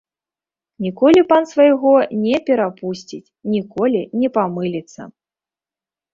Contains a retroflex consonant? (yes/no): no